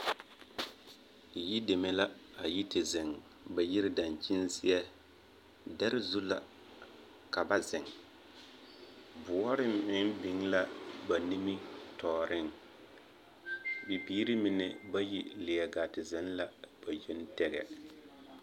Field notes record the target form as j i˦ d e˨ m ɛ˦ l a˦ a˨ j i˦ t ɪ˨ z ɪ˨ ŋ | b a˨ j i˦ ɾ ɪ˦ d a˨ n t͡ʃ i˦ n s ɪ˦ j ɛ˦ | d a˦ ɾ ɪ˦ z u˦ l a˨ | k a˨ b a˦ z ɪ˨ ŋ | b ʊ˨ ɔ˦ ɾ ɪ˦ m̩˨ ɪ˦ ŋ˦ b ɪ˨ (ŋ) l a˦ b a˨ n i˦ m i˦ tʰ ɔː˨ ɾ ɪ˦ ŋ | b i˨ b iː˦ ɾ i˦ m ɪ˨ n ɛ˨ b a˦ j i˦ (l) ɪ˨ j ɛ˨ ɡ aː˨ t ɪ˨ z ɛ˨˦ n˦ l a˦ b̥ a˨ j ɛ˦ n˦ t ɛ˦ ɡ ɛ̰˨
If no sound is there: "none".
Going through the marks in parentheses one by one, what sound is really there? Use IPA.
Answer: ŋ, l

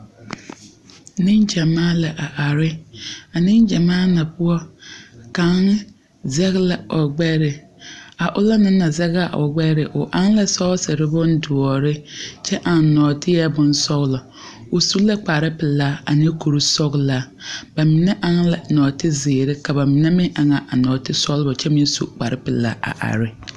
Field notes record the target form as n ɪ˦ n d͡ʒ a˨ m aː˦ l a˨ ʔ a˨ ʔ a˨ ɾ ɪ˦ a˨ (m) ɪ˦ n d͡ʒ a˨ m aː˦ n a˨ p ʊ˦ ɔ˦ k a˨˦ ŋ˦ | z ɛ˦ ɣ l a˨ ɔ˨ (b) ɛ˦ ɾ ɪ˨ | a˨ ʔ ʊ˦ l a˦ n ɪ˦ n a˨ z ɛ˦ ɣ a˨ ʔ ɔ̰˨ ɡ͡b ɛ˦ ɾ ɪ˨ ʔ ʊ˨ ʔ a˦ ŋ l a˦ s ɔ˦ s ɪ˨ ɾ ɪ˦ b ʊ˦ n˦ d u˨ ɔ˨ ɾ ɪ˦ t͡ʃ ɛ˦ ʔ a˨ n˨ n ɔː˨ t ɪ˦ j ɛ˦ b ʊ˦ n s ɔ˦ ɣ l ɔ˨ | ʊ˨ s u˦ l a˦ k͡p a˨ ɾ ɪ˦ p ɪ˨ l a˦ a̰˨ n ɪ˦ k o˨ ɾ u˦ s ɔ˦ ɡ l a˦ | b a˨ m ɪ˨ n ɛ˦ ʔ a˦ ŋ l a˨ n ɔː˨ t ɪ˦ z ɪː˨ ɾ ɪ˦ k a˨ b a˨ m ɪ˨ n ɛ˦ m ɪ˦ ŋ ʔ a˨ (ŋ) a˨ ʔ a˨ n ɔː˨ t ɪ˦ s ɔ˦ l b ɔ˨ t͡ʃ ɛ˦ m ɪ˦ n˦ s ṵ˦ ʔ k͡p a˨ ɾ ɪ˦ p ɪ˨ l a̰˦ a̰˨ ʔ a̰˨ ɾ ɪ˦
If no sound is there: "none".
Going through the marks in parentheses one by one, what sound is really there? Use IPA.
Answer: n, ɡ͡b, ŋ

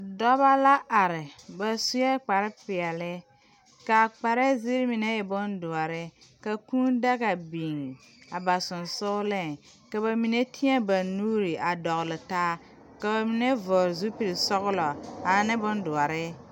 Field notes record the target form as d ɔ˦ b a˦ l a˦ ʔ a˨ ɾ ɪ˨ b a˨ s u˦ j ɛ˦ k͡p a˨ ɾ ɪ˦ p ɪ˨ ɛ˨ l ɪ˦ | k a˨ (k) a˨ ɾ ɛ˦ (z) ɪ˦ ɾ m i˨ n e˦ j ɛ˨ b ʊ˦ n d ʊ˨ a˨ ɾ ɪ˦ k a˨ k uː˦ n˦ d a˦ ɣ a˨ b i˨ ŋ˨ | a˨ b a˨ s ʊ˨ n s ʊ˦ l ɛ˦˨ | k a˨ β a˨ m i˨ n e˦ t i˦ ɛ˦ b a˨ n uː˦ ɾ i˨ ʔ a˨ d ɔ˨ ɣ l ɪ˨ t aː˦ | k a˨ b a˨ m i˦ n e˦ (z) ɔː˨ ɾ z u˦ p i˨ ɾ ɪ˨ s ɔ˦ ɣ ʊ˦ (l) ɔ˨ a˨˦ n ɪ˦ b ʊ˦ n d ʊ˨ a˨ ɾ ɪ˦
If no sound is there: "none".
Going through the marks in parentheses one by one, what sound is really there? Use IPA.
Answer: k͡p, z, v, l

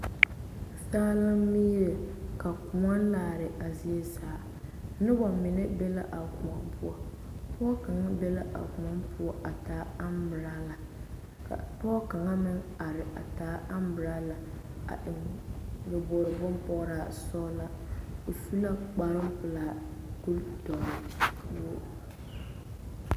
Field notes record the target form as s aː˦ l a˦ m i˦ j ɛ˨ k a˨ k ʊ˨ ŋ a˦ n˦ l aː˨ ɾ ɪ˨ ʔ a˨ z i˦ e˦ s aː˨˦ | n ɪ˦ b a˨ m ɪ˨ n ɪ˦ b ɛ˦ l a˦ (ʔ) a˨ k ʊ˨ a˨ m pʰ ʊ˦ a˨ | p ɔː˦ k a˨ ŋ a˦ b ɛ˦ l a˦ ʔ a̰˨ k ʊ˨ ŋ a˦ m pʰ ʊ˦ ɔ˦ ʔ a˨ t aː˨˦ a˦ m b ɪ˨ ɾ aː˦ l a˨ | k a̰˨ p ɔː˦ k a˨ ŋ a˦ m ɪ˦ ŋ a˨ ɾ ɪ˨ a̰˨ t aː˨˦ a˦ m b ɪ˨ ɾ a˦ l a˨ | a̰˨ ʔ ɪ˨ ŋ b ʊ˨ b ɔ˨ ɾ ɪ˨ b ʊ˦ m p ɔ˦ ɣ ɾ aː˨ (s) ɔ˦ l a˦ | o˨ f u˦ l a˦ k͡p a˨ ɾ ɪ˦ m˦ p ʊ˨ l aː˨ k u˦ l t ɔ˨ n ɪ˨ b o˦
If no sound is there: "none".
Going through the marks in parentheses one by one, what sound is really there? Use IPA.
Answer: ʔ, s

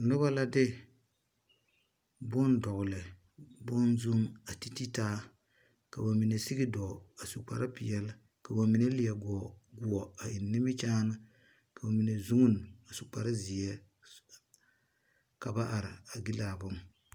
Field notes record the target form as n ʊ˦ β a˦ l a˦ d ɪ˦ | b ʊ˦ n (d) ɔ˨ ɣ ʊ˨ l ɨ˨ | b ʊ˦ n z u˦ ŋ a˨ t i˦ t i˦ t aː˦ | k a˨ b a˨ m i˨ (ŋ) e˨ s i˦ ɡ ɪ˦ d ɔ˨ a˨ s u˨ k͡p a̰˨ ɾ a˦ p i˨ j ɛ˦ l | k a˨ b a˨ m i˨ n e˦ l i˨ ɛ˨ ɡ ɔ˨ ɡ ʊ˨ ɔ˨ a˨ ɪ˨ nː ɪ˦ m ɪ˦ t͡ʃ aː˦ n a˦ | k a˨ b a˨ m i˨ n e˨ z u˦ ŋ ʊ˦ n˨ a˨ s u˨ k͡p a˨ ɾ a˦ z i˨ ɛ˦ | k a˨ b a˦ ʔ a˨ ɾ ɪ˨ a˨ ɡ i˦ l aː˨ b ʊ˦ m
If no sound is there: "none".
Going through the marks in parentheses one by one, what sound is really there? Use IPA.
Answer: d, n

